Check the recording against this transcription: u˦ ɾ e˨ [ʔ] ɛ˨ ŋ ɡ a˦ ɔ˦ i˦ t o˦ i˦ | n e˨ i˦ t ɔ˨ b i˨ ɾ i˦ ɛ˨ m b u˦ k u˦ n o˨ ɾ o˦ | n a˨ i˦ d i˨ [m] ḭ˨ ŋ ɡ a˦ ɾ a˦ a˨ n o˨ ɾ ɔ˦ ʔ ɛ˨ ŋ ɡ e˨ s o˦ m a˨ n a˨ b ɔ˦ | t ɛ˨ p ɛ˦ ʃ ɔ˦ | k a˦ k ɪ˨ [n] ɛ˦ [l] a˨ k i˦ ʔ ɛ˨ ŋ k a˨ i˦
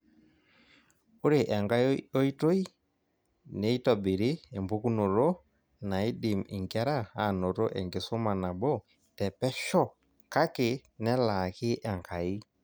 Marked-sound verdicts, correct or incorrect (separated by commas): correct, correct, correct, correct